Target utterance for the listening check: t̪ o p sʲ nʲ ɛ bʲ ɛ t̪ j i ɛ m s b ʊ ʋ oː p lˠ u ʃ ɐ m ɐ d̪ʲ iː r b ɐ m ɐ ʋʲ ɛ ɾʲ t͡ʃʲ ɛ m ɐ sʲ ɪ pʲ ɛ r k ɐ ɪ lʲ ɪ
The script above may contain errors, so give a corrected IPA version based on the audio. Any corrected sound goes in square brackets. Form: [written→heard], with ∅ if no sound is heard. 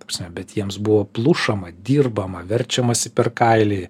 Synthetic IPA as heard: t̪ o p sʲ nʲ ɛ bʲ ɛ t̪ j i ɛ m s b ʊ ʋ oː p lˠ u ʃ ɐ m ɐ d̪ʲ iː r b ɐ m ɐ ʋʲ ɛ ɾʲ t͡ʃʲ ɛ m ɐ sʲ ɪ pʲ ɛ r k ɐ ɪ lʲ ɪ